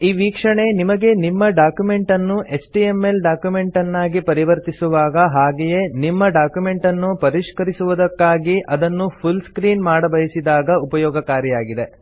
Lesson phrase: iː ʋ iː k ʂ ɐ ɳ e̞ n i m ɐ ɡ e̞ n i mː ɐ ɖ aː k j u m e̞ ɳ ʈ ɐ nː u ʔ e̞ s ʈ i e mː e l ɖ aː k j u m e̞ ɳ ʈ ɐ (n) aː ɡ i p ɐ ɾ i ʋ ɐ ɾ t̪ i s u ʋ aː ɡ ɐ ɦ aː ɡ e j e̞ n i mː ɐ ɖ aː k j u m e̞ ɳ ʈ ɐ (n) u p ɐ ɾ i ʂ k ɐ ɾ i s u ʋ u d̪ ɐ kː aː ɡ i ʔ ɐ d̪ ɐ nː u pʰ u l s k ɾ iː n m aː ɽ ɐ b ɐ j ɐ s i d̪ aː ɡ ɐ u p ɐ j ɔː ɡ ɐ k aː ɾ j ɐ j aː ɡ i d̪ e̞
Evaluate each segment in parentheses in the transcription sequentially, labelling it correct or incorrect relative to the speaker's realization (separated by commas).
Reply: incorrect, incorrect